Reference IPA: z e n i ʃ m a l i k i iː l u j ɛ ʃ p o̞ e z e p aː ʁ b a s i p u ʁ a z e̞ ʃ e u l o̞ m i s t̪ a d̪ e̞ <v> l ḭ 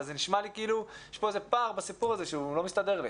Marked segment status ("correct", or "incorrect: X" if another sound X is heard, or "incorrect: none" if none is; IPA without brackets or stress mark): incorrect: ʁ